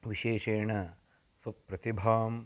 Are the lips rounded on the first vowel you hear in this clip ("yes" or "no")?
no